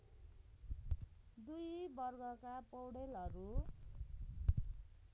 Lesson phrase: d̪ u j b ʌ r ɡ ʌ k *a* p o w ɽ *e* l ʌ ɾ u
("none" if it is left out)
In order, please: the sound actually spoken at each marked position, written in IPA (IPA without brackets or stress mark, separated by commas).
a, e